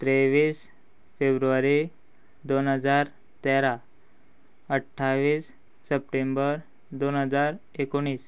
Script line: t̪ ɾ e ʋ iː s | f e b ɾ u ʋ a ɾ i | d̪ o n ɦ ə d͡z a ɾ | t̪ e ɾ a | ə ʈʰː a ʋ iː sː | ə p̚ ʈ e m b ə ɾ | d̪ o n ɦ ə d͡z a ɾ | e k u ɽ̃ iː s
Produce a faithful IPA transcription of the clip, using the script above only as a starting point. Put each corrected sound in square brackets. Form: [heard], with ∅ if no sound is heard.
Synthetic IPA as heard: t̪ ɾ e ʋ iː s | f e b ɾ u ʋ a ɾ i | d̪ o n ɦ ə d͡z a ɾ | t̪ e ɾ a | ə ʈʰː a ʋ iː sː | ə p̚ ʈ e m b ə ɾ | d̪ o n ɦ ə d͡z a ɾ | e k [o] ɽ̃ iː s